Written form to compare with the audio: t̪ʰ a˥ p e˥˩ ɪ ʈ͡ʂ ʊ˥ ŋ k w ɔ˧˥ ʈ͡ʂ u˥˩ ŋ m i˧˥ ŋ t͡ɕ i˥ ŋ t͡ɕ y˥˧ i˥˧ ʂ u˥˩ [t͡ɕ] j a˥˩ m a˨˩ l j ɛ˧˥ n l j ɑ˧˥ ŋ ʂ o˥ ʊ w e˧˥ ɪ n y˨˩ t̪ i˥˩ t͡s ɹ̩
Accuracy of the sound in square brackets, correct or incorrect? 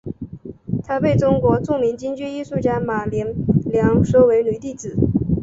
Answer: correct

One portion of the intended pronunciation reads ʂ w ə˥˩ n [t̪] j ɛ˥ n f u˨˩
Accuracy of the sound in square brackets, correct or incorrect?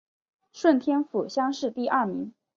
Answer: incorrect: t̪ʰ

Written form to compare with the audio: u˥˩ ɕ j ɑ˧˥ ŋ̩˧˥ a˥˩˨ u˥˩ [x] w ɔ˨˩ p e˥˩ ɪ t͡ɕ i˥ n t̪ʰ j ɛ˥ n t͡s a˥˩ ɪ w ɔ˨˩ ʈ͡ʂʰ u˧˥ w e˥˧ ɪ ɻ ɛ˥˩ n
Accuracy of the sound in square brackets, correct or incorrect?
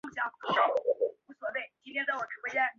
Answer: incorrect: s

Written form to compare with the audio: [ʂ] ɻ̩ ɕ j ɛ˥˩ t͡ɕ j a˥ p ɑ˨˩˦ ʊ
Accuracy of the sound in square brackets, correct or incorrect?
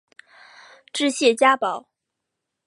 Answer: incorrect: ʈ͡ʂ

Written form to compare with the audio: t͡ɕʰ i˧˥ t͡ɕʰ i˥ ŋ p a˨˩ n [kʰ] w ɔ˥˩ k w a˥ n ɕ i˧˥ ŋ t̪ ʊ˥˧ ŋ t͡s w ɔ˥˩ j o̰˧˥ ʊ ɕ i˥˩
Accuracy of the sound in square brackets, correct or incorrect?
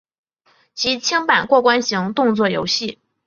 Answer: incorrect: k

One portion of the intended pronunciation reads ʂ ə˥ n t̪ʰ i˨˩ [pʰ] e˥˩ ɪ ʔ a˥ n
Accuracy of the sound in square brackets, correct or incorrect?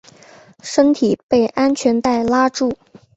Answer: incorrect: p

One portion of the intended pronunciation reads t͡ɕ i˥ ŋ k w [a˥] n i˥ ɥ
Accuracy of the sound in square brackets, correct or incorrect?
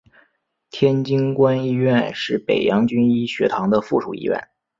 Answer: correct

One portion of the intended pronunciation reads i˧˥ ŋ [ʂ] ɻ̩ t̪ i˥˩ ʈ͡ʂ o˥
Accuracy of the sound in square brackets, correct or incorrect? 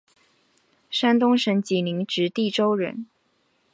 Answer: incorrect: ʈ͡ʂ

